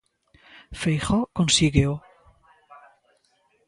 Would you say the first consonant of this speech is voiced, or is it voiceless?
voiceless